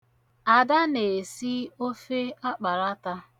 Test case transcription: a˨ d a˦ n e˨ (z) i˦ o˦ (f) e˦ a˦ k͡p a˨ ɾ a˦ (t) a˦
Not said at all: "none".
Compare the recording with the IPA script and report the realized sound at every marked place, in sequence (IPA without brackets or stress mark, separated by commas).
s, f, t